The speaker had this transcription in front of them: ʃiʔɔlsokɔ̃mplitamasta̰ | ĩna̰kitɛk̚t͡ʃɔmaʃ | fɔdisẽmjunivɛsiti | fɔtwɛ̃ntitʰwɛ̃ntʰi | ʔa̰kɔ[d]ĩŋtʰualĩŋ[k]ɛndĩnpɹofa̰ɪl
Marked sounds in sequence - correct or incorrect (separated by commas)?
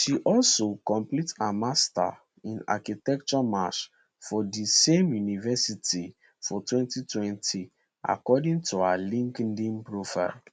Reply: correct, correct